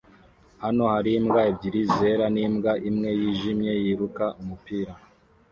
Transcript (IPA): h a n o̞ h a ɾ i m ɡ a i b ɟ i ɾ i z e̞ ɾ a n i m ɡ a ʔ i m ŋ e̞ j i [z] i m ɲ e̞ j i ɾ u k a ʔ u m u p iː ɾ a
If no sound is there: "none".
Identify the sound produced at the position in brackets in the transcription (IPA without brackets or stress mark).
ʒ